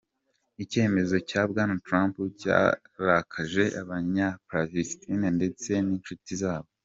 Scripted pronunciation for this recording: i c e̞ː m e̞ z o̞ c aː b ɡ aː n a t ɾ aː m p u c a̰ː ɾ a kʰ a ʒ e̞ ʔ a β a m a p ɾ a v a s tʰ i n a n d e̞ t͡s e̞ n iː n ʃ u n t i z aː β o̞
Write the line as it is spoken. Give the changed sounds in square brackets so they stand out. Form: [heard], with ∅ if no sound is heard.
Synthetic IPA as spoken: i c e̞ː m e̞ z o̞ c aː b ɡ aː n a t ɾ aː m p u c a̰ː ɾ a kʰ a ʒ e̞ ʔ a β a [ɲ] a p ɾ a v [i] s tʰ i n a n d e̞ t͡s e̞ n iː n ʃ u [∅] t i z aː β o̞